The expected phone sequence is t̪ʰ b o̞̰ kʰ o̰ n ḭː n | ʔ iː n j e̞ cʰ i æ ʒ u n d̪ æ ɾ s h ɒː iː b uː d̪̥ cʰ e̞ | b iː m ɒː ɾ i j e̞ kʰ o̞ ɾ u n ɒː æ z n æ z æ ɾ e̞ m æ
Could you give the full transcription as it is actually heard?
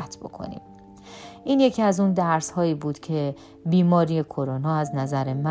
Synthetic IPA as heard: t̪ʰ b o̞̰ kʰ o̰ n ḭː m | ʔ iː n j e̞ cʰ i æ z u n d̪ æ ɾ s h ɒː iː b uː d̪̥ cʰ e̞ | b iː m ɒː ɾ i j e̞ kʰ o̞ ɾ o n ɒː æ z n æ z æ ɾ e̞ m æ